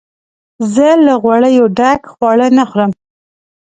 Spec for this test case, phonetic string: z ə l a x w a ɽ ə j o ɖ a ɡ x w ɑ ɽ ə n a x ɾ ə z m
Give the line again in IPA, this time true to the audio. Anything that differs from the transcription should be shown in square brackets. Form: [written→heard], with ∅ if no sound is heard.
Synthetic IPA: z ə l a [x→ɣ] w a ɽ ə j o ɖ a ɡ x w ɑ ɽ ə n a x ɾ ə [z→∅] m